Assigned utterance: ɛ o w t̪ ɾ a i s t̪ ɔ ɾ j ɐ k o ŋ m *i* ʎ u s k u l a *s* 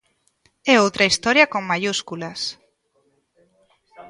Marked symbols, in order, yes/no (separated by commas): no, yes